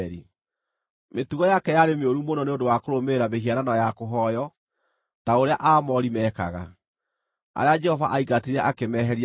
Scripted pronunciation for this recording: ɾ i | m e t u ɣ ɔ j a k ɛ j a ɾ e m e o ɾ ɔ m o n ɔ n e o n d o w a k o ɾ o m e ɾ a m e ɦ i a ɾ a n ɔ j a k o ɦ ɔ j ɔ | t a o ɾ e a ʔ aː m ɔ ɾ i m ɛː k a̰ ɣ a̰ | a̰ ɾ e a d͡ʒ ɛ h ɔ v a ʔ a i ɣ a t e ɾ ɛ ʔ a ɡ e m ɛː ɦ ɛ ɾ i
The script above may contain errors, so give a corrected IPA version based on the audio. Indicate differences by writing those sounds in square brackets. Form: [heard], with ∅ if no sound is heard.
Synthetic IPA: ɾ i | m e t u ɣ ɔ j a k ɛ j a ɾ e m e o ɾ [u] m o n ɔ n e o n d o w a k o ɾ o m e ɾ a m e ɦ i a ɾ a n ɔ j a k o ɦ ɔ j ɔ | t a o ɾ e a ʔ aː m ɔ ɾ i m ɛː k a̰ ɣ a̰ | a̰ ɾ e a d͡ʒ ɛ h ɔ v a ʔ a i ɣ a t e ɾ ɛ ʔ a [k] e m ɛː ɦ ɛ ɾ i